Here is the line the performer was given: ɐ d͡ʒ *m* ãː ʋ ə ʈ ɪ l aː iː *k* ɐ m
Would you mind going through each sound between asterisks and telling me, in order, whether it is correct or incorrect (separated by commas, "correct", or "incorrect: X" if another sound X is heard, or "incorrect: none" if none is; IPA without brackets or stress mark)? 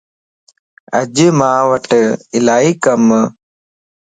correct, correct